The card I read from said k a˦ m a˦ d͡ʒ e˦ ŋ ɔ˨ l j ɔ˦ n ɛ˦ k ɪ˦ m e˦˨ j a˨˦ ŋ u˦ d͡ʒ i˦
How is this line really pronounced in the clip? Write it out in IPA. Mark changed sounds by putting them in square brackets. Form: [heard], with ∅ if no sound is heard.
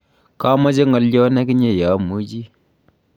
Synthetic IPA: k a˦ m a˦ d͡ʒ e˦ ŋ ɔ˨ l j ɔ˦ n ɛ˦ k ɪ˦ [ɲ] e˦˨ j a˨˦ [m] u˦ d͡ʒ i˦